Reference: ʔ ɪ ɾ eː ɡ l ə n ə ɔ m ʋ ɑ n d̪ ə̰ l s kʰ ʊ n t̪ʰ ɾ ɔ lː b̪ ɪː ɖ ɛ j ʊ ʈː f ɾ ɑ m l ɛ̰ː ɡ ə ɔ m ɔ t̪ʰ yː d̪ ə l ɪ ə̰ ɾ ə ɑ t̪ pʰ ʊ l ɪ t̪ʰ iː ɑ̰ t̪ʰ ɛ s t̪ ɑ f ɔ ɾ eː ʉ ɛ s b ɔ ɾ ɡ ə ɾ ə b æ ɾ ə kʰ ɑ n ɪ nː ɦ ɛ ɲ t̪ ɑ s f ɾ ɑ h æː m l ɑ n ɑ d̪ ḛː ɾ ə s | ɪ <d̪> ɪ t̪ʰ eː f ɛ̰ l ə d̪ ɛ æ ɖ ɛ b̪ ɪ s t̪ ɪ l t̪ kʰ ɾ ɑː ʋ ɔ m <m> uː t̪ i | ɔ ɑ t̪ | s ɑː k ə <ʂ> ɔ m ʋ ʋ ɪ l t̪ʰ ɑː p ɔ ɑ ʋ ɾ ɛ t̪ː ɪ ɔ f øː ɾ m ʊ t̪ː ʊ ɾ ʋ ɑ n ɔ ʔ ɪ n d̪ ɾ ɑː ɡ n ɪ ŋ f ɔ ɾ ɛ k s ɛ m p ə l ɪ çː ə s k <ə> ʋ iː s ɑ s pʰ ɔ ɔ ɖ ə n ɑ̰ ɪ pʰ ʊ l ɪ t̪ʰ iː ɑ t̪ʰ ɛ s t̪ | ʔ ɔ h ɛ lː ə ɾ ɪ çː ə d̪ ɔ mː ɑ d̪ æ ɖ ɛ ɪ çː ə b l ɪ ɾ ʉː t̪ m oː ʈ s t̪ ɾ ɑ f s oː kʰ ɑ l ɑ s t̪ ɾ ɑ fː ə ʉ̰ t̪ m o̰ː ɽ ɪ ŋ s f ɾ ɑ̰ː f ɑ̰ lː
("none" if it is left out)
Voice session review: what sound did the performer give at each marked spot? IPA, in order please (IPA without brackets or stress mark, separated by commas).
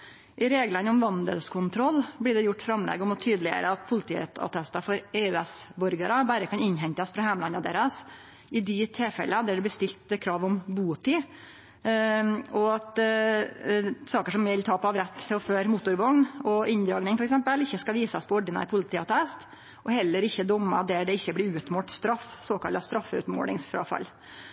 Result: d̪, b, ʂ, ɑ